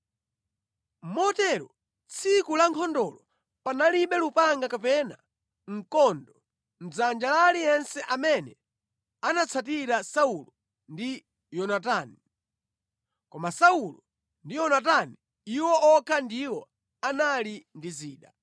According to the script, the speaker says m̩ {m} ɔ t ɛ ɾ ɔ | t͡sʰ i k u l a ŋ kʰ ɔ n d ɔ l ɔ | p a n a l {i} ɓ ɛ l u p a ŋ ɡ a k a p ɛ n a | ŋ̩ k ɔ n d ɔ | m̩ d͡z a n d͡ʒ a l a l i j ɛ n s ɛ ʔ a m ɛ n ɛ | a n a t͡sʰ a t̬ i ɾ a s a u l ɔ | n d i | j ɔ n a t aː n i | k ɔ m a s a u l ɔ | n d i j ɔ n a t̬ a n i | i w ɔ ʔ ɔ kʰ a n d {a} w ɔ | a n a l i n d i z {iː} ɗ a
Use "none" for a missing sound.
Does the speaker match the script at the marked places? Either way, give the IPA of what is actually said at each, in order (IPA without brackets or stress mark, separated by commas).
m, i, i, iː